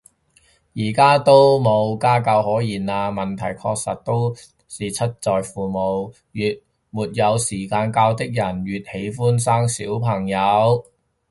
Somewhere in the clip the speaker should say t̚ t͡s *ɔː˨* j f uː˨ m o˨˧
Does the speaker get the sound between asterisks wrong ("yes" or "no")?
no